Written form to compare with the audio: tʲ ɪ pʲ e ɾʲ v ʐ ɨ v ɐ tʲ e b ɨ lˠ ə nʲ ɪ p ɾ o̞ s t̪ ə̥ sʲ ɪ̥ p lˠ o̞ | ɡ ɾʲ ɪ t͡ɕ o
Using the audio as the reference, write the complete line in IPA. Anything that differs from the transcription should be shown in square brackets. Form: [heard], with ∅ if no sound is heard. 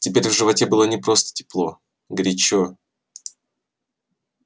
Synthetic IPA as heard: tʲ ɪ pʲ e ɾʲ v ʐ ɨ v ɐ tʲ e b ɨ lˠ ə nʲ ɪ p ɾ o̞ s t̪ ə̥ [tʲ] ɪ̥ p lˠ o̞ | ɡ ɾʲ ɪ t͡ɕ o